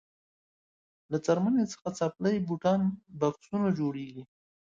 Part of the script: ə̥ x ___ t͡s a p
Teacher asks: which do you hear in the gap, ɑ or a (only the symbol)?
a